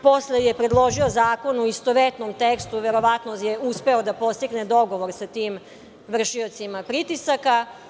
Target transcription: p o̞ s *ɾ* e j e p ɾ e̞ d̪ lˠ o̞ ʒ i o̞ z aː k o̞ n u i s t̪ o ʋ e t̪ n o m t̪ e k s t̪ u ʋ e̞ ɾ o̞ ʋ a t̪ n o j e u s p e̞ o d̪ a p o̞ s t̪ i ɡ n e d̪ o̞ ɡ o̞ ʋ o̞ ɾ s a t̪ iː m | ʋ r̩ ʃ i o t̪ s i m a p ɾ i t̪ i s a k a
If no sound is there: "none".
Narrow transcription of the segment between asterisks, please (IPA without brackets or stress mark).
l